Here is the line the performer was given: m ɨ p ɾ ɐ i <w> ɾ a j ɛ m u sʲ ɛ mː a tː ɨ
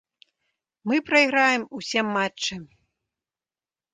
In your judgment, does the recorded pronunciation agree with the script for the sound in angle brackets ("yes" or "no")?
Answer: no